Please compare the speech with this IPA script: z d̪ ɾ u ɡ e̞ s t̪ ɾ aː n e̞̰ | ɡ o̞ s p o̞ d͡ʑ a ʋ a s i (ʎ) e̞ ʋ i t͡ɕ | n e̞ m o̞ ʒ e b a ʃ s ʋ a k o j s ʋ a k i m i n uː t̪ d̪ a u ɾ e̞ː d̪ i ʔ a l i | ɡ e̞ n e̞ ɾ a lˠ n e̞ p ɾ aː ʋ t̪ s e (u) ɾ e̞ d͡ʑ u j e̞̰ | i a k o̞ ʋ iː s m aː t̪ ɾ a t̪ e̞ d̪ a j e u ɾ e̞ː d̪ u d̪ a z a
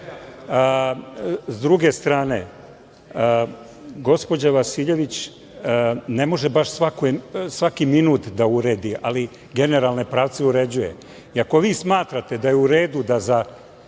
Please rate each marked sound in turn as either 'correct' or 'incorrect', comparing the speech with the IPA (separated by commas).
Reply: correct, correct